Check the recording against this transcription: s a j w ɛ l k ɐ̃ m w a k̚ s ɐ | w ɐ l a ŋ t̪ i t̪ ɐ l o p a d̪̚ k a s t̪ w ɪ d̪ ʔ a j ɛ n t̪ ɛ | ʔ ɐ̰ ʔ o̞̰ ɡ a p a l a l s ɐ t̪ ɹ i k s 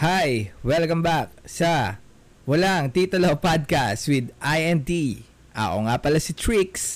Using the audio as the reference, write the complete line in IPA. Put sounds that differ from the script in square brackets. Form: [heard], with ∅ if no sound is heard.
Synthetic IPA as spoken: [h] a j w ɛ l k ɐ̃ m [b] a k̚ s ɐ | w ɐ l a ŋ t̪ i t̪ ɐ l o p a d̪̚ k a s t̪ w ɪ d̪ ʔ a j ɛ n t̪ [i] | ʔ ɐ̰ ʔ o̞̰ [ŋ] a p [ɐ] l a [∅] s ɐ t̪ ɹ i k s